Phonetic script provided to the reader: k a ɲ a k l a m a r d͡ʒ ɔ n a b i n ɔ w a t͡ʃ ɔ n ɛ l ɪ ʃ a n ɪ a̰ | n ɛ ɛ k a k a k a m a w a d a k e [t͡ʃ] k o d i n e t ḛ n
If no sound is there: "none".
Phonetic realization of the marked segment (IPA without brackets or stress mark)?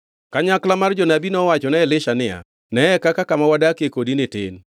none